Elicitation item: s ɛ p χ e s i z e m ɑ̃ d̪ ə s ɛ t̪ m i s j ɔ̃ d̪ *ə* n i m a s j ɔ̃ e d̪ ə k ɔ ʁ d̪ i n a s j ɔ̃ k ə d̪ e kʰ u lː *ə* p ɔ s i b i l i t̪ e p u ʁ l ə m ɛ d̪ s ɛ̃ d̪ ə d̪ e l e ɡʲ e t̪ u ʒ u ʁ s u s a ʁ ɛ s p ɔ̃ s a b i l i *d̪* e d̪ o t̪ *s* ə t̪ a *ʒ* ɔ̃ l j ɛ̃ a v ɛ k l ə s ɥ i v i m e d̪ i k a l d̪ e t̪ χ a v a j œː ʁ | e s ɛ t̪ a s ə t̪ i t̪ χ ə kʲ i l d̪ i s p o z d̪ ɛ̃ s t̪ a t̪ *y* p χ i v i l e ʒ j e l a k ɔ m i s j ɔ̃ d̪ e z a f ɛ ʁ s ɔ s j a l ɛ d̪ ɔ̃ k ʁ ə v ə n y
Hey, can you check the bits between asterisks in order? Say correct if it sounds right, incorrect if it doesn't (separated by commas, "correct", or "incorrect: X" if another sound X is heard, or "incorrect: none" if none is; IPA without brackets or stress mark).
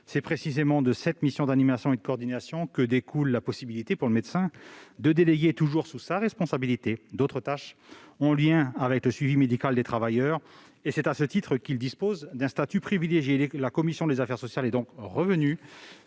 incorrect: a, incorrect: a, incorrect: t̪, incorrect: χ, incorrect: ʃ, correct